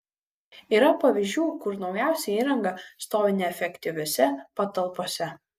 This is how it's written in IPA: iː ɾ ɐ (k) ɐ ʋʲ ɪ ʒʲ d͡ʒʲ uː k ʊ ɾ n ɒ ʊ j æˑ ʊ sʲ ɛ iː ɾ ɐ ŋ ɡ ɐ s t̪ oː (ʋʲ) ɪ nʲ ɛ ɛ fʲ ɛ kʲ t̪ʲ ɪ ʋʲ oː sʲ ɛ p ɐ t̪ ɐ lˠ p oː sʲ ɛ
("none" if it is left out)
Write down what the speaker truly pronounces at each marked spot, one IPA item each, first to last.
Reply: p, ʋʲ

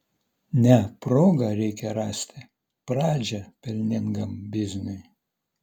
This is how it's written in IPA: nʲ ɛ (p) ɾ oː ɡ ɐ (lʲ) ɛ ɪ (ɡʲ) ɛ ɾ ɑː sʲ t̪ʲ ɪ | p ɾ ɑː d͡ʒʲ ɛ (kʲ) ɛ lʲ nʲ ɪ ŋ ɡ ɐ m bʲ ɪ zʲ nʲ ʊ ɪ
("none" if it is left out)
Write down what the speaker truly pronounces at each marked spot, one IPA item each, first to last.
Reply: p, ɾʲ, kʲ, pʲ

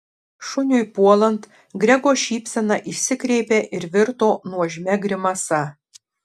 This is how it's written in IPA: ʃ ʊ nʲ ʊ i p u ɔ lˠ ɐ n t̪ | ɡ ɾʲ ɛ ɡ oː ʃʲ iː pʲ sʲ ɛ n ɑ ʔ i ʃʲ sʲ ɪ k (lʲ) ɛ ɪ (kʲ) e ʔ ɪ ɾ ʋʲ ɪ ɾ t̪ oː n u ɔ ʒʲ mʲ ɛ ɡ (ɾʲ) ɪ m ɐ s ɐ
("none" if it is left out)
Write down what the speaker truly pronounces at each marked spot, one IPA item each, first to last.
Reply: ɾʲ, pʲ, ɾʲ

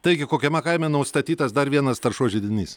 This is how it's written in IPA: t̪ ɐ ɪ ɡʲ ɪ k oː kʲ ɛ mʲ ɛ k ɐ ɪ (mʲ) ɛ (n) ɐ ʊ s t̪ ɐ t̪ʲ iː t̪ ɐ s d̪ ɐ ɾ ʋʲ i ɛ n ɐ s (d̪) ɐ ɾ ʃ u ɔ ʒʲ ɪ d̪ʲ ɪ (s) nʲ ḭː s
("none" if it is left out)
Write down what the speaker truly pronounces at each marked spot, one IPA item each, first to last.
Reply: mʲ, n, t̪, none

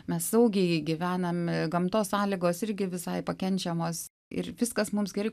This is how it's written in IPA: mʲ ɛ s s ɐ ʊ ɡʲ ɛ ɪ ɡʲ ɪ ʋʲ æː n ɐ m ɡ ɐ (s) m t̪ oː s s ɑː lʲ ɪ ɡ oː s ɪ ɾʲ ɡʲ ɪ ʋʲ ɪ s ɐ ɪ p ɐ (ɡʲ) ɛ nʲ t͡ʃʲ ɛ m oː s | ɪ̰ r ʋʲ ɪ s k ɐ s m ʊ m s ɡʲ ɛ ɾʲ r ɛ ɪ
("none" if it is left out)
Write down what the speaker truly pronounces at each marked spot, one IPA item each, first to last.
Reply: none, kʲ

